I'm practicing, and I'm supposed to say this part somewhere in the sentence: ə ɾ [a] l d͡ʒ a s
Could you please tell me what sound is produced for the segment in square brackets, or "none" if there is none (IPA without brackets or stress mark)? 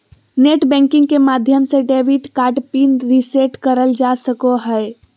ə